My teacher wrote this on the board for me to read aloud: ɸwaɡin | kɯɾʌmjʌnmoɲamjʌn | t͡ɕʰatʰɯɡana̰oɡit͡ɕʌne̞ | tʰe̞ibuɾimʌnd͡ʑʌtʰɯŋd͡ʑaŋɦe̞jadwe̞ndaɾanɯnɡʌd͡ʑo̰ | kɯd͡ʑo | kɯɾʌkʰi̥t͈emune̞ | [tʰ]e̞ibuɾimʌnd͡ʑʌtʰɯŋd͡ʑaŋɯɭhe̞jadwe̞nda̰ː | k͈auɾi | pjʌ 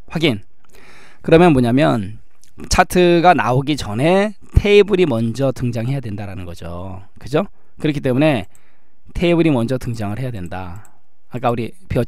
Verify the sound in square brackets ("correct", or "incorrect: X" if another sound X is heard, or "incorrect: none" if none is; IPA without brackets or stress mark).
correct